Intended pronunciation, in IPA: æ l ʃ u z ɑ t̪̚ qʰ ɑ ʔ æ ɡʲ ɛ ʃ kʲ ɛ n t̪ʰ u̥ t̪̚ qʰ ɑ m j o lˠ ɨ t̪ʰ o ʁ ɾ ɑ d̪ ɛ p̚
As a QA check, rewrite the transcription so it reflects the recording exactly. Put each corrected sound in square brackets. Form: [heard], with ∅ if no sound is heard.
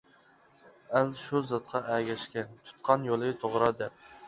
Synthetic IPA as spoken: æ l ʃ u z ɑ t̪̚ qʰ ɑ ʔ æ ɡʲ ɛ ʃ kʲ ɛ n t̪ʰ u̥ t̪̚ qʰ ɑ [n] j o lˠ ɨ t̪ʰ o ʁ ɾ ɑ d̪ ɛ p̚